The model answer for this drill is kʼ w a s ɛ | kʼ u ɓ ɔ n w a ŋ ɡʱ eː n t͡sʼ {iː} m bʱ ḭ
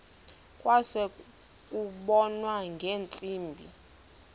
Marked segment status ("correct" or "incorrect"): correct